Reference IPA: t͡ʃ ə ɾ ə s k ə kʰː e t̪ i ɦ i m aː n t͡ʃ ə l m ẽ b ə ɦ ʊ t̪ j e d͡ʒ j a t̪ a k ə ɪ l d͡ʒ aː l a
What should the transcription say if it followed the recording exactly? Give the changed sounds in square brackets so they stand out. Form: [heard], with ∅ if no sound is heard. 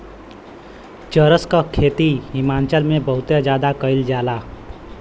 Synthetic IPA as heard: t͡ʃ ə ɾ ə s k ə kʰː e t̪ i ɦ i m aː n t͡ʃ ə l m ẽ b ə ɦ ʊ t̪ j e d͡ʒ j a [d̪] a k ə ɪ l d͡ʒ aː l a